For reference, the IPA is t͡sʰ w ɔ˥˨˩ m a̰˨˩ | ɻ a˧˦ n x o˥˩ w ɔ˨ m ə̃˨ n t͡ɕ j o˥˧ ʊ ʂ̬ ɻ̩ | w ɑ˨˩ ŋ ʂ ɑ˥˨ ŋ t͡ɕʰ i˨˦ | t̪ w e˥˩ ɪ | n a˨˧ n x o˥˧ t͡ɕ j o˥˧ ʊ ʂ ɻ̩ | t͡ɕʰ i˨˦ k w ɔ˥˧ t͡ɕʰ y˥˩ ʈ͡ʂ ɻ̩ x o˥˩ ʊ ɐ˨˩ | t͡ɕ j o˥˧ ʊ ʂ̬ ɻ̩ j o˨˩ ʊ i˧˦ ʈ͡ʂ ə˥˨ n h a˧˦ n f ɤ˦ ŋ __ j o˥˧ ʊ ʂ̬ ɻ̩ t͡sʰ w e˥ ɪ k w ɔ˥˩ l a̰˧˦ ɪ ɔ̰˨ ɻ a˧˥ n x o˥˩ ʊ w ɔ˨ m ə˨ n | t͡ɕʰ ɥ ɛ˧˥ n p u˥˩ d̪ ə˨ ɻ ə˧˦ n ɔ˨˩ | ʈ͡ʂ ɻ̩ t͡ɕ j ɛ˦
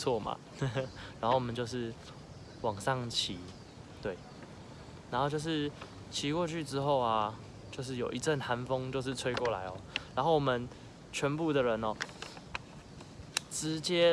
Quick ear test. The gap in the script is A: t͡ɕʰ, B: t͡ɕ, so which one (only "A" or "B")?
B